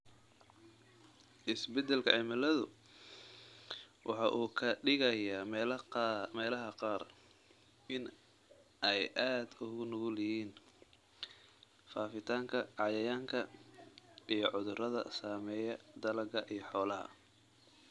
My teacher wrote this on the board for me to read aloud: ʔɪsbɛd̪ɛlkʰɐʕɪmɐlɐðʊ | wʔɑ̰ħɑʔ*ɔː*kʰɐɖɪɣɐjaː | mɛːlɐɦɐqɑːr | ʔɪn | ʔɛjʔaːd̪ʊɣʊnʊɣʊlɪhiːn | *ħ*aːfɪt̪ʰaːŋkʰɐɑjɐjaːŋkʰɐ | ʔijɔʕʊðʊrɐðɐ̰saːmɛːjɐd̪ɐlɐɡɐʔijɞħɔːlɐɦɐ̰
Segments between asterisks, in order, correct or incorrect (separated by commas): incorrect, incorrect